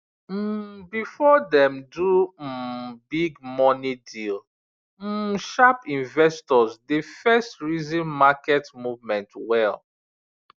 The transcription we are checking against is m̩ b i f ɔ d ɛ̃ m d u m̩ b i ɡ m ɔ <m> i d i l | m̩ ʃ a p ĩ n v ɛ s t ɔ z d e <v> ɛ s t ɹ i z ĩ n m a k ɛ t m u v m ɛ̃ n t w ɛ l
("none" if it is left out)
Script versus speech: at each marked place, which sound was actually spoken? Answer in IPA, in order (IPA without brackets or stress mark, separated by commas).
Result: n, f